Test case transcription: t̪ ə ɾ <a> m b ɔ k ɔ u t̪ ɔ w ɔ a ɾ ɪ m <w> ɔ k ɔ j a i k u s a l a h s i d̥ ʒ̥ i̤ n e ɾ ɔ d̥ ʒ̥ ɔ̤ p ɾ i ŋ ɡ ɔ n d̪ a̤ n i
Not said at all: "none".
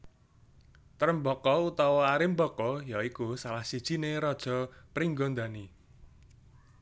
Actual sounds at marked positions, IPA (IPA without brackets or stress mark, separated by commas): ə, b